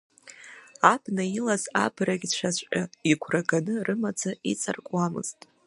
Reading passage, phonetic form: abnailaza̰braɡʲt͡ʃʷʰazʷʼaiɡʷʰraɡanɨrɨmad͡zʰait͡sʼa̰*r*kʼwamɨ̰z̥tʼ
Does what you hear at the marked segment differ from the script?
no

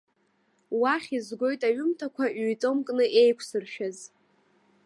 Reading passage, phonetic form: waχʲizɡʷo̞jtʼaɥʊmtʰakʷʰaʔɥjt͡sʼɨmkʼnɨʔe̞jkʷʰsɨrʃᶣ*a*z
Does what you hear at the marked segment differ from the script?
no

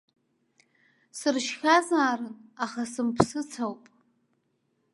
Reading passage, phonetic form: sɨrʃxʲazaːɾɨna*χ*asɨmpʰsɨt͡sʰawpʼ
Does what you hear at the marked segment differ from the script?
no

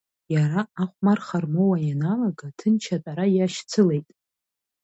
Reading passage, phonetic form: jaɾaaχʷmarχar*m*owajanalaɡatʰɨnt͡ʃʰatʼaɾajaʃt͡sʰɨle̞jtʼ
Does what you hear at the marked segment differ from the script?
no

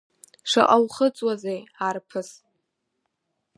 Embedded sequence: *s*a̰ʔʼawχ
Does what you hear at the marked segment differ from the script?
yes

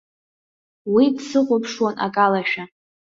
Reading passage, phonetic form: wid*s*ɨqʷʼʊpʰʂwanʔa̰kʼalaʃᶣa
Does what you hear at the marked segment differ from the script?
no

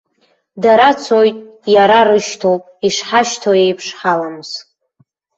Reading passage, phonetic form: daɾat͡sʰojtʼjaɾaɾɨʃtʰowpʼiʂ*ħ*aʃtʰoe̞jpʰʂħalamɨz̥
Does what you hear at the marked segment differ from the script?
no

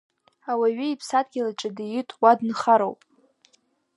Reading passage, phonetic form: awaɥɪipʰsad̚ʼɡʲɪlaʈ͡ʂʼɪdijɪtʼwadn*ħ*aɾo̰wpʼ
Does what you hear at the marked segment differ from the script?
yes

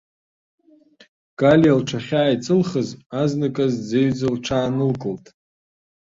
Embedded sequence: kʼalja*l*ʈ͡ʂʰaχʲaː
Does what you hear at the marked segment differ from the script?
no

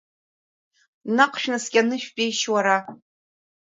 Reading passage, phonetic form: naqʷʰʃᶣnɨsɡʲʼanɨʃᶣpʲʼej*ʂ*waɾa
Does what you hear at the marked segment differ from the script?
yes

